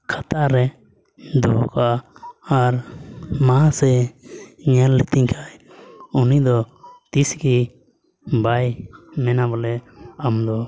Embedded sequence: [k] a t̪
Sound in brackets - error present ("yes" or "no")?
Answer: yes